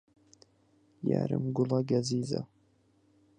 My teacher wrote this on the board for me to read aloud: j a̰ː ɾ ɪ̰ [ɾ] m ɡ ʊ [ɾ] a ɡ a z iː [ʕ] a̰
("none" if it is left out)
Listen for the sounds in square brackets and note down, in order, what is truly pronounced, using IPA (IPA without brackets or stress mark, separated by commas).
none, l, z